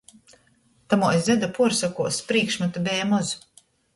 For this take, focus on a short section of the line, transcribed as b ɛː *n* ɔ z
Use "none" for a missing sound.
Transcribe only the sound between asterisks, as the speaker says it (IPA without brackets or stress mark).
m